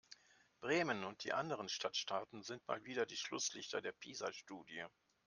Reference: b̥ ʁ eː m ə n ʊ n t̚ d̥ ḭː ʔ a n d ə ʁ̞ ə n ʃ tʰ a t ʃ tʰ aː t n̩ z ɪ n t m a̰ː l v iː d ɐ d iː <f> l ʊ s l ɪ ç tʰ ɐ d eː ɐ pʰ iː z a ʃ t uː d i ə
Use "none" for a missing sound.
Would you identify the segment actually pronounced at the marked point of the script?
ʃ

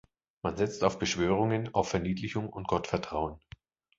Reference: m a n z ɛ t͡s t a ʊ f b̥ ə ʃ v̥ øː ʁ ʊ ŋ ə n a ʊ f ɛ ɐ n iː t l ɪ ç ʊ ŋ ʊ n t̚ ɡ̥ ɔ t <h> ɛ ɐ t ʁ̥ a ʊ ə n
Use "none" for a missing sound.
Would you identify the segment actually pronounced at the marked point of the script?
f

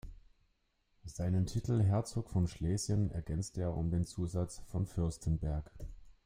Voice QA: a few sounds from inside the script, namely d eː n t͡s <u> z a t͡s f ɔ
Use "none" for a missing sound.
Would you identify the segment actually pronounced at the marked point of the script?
uː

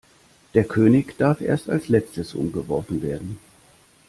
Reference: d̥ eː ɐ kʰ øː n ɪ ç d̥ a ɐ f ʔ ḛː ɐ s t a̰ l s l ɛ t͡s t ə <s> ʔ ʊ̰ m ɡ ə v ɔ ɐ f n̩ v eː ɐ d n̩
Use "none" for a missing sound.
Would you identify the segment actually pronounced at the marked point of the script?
s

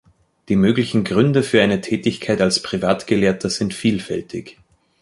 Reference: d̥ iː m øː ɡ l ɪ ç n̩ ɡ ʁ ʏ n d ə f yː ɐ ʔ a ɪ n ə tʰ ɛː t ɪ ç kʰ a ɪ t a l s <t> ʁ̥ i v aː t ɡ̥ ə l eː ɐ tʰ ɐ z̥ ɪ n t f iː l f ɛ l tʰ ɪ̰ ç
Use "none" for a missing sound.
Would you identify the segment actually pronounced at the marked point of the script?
p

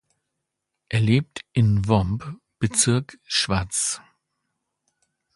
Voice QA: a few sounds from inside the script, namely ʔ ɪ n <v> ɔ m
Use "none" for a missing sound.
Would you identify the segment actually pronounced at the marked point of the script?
v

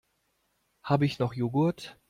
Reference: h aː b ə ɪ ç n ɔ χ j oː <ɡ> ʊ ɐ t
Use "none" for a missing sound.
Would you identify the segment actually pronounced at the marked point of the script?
ɡ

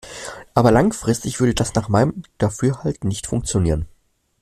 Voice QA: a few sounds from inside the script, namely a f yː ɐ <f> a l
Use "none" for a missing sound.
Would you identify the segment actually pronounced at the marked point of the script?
h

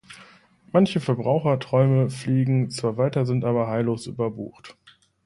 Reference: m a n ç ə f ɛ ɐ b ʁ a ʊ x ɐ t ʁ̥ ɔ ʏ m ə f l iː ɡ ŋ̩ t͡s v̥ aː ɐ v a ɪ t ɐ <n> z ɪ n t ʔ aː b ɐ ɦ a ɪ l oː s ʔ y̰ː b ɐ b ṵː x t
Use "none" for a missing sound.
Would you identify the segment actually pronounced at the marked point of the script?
none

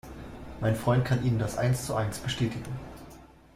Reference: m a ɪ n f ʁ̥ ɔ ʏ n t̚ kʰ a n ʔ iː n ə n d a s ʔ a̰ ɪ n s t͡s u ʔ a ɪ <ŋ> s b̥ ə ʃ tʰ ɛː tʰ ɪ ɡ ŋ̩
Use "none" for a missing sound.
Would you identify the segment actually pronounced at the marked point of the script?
n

